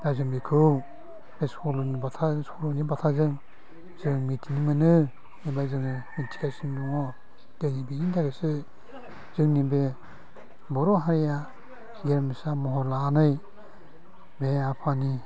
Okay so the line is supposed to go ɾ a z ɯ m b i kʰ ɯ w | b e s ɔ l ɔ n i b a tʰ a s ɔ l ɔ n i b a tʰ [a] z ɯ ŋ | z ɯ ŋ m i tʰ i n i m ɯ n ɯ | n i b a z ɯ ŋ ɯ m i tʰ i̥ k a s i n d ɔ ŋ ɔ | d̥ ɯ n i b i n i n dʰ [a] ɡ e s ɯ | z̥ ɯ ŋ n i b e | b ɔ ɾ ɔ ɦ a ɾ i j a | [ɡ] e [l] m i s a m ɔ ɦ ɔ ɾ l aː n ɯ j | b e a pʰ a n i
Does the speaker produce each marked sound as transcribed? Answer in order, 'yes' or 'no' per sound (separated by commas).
yes, yes, yes, no